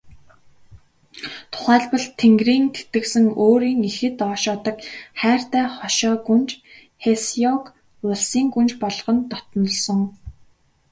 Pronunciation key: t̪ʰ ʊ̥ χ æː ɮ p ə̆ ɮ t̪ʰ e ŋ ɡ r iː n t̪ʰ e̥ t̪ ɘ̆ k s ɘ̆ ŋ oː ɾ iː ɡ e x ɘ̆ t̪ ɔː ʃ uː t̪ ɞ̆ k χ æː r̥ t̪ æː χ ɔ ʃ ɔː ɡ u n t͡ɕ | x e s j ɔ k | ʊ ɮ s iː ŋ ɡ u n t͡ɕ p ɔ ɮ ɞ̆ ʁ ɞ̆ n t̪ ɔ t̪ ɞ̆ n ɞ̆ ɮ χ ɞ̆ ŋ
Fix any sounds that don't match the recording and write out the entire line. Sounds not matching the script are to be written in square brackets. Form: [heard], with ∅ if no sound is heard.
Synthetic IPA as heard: t̪ʰ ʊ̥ χ æː ɮ p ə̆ ɮ t̪ʰ e ŋ ɡ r iː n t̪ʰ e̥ t̪ ɘ̆ k s ɘ̆ ŋ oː ɾ iː [ŋ] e x ɘ̆ t̪ ɔː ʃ [ɔː] t̪ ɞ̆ k χ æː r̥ t̪ æː χ ɔ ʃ ɔː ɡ u n t͡ɕ | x e s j ɔ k | ʊ ɮ s iː ŋ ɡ u n t͡ɕ p ɔ ɮ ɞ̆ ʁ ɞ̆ n t̪ ɔ t̪ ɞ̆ n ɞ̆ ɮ [s] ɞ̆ ŋ